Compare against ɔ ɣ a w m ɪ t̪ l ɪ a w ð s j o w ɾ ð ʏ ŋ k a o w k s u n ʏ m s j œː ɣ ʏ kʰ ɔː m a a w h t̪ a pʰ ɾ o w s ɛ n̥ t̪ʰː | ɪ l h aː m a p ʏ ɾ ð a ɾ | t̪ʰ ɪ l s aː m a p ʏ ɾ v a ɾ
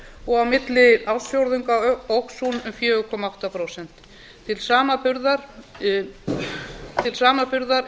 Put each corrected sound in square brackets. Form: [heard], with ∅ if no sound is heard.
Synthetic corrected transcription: ɔ ɣ a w m ɪ t̪ l ɪ a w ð s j o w ɾ ð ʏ ŋ k a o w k s u n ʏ m [f] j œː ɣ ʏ kʰ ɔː m a a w h t̪ a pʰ ɾ o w s ɛ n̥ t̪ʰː | ɪ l [s] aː m a p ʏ ɾ ð a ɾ | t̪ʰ ɪ l s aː m a p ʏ ɾ [ð] a ɾ